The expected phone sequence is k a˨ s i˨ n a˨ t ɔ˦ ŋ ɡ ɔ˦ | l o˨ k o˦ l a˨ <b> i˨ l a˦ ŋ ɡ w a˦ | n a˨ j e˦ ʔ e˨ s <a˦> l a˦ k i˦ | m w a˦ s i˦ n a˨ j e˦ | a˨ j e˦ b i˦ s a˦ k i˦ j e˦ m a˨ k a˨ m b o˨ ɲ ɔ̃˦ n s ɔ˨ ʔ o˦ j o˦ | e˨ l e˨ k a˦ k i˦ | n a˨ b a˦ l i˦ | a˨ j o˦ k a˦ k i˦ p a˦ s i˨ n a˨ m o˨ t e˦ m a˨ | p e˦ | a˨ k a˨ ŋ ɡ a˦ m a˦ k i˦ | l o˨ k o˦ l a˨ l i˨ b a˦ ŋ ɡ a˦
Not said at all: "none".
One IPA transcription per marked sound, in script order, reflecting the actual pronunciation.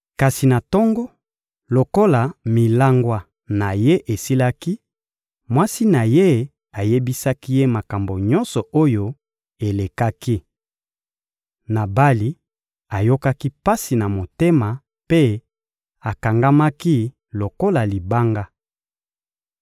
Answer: m, i˦

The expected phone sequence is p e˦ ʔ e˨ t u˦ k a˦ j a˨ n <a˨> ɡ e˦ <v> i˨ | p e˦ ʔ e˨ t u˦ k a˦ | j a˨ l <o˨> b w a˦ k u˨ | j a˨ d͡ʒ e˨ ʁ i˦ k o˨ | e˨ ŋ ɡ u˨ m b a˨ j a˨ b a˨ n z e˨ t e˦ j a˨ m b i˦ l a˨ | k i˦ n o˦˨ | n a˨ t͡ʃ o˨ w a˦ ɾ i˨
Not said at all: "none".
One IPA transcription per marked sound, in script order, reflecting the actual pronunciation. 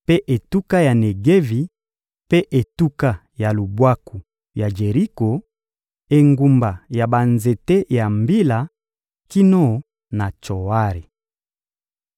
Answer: e˨, v, u˨

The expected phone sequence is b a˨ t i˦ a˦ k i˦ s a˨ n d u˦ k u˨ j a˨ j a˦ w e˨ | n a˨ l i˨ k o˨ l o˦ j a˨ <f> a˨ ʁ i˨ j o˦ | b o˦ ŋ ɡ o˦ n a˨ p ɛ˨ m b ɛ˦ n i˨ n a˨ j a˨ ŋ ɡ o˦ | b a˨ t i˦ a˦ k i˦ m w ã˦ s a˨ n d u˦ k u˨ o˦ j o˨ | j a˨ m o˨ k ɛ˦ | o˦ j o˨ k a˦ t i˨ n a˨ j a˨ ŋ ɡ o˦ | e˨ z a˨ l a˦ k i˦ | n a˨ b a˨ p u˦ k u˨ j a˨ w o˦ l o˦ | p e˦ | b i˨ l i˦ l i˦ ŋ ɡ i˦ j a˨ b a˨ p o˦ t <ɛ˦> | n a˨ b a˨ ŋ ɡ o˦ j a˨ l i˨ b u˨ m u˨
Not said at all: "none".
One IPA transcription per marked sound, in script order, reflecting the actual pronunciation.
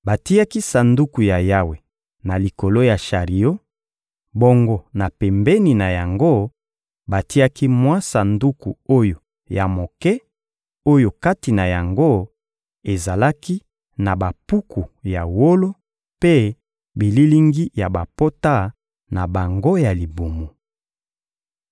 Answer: ʃ, a˦

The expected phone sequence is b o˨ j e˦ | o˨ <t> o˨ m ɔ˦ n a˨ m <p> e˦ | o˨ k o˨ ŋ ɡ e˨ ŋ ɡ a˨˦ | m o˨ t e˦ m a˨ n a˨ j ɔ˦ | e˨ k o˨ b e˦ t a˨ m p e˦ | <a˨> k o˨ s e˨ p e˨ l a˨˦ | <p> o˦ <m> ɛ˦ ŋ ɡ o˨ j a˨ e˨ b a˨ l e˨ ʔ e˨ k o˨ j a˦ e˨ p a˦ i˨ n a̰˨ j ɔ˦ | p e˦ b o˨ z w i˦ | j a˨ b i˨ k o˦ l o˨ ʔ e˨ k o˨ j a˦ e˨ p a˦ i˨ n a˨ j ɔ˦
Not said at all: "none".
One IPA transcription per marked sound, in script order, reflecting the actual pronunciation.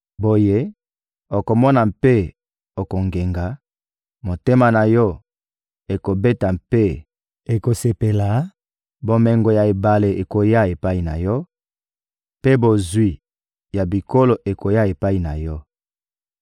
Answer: k, p, e˨, b, m

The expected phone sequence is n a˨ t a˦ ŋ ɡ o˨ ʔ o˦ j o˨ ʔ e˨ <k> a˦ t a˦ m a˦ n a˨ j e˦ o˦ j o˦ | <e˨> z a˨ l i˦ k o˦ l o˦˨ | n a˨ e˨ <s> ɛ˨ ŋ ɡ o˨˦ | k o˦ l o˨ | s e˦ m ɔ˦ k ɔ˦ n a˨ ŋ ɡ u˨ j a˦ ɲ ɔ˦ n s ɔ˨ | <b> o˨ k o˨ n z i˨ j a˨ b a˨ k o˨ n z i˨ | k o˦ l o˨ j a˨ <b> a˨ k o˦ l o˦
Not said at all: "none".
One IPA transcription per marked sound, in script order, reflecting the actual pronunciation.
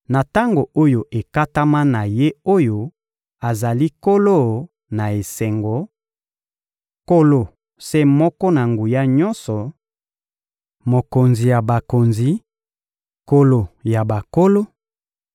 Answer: k, a˨, s, m, b

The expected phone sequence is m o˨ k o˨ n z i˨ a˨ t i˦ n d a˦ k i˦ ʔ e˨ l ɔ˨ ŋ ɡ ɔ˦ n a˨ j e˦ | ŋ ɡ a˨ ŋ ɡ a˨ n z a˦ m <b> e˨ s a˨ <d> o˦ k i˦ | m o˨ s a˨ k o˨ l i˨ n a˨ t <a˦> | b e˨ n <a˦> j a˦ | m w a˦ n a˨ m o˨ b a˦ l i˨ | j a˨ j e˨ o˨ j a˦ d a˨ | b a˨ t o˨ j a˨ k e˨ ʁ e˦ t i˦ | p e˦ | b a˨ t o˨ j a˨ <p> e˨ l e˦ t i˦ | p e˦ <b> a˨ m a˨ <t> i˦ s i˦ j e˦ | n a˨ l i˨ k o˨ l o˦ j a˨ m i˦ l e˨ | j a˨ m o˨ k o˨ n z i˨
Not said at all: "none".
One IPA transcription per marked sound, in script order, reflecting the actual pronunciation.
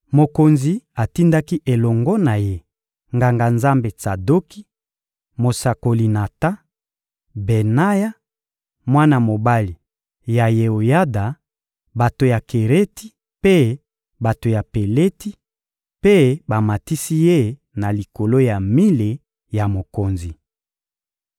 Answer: b, d, a˦, a˦, p, b, t

